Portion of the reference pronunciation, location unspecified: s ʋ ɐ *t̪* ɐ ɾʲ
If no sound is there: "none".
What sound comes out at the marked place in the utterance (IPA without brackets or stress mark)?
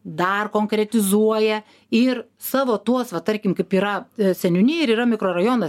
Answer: t̪